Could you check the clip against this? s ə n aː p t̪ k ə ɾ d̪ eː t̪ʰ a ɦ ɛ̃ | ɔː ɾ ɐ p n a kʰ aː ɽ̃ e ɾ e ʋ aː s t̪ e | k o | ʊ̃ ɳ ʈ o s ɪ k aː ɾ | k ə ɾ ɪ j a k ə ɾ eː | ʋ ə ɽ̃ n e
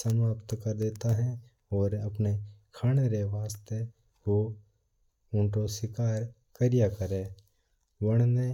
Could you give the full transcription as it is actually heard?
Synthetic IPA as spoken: s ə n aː p t̪ k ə ɾ d̪ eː t̪ a ɦ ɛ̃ | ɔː ɾ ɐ p n e kʰ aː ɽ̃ e ɾ e ʋ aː s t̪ e | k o | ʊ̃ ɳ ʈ o s ɪ k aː ɾ | k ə ɾ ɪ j a k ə ɾ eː | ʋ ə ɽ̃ n e

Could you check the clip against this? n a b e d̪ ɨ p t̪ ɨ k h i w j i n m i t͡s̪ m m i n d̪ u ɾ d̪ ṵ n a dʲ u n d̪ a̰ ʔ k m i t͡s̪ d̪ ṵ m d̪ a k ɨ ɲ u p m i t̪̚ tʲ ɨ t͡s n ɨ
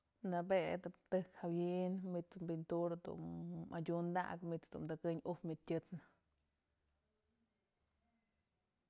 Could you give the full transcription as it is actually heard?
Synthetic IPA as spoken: n a b e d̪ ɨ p t̪ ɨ k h a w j i n m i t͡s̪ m b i n t̪ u ɾ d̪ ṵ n a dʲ u n d̪ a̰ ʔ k m i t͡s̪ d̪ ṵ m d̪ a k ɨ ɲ u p m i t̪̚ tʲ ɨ t͡s n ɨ

